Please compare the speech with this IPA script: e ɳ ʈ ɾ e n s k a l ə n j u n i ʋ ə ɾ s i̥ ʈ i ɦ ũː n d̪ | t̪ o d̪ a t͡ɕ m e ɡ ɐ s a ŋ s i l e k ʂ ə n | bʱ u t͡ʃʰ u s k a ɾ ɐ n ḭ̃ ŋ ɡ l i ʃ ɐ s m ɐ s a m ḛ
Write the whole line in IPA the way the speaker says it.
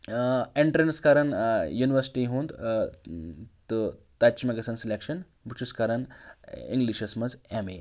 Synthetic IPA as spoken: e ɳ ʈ ɾ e n s k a ɾ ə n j u n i ʋ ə ɾ s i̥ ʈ i ɦ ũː n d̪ | t̪ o t̪ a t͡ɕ m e ɡ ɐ s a n s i l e k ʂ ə n | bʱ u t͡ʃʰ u s k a ɾ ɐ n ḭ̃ ŋ ɡ l i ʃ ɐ s m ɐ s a m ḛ